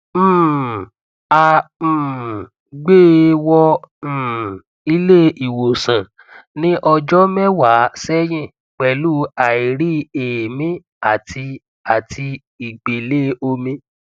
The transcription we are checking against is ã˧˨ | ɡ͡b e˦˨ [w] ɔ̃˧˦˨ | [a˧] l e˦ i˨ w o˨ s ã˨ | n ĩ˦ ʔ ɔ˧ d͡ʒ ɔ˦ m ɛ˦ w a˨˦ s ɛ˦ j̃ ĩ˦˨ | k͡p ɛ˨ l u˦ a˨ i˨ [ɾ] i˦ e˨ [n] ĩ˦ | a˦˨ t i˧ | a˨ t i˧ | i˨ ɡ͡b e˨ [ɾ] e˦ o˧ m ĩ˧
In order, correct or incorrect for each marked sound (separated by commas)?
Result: correct, incorrect, correct, incorrect, incorrect